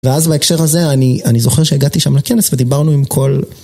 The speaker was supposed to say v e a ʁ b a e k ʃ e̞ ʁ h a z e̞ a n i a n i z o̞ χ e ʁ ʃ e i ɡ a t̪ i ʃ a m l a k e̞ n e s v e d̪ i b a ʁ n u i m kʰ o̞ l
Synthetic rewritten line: v e a z b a e k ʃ e̞ ʁ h a z e̞ a n i a n i z o̞ χ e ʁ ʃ e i ɡ a t̪ i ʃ a m l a k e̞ n e s v e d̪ i b a ʁ n u i m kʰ o̞ l